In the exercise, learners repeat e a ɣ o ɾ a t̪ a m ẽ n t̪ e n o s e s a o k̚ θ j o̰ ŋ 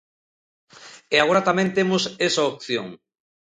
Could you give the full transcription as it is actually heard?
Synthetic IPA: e a ɣ o ɾ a t̪ a m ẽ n t̪ e m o s e s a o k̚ θ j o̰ ŋ